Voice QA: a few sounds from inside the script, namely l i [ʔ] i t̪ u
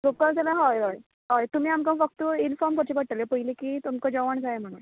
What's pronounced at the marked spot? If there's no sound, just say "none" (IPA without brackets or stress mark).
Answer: k